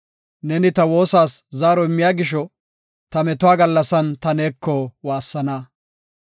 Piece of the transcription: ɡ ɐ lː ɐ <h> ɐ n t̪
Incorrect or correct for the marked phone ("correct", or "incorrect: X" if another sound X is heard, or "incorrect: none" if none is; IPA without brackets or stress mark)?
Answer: incorrect: s